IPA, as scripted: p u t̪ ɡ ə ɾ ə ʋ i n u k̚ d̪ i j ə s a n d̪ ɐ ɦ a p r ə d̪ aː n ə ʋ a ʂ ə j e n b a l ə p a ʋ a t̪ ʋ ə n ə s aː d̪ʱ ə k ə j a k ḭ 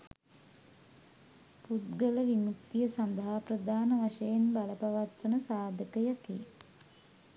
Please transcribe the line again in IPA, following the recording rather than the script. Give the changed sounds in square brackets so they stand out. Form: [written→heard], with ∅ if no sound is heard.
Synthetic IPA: p u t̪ ɡ ə [ɾ→l] ə ʋ i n u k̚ [d̪→t̪] i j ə s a n d̪ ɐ ɦ a p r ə d̪ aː n ə ʋ a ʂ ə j e n b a l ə p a ʋ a t̪ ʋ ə n ə s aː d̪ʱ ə k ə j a k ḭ